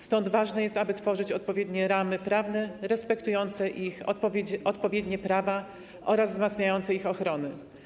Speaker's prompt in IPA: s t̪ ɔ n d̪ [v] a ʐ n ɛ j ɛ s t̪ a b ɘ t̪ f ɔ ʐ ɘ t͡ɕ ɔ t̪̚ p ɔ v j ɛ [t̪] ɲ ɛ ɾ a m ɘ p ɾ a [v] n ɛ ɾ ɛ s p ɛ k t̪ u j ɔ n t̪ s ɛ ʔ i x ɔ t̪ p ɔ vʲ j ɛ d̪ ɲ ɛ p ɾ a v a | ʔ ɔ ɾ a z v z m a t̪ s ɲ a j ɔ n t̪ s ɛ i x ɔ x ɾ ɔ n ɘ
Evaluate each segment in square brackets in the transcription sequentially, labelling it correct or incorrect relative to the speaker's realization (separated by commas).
correct, incorrect, correct